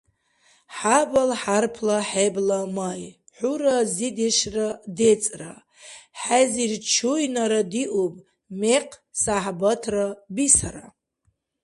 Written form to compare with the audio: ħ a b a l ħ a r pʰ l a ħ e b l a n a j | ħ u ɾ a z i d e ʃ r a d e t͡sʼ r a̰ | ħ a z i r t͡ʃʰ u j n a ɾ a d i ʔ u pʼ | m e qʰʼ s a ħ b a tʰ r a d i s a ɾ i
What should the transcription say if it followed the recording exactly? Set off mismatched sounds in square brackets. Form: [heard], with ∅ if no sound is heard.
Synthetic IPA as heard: ħ a b a l ħ a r pʰ l a ħ e b l a [m] a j | ħ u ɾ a z i d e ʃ r a d e t͡sʼ r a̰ | ħ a z i r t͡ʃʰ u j n a ɾ a d i ʔ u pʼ | m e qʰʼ s a ħ b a tʰ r a [b] i s a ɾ [a]